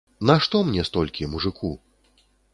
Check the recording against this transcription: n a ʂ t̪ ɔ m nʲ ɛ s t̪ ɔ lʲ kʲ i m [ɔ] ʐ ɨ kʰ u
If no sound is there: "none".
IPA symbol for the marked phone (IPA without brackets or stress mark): u